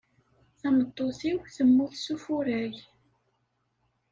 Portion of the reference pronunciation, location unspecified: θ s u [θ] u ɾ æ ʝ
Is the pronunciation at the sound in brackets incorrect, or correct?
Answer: incorrect